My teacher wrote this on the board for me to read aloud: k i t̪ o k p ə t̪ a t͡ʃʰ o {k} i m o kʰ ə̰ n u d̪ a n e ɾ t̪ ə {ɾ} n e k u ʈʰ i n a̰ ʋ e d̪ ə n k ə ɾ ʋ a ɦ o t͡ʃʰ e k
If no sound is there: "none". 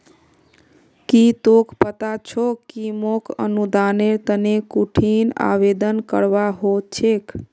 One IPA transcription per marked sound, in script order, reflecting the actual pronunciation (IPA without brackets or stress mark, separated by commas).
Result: k, none